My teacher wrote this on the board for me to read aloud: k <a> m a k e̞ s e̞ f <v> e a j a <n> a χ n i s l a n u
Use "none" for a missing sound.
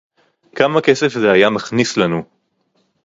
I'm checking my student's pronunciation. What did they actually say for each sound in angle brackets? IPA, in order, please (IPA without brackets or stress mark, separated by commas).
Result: a, z, m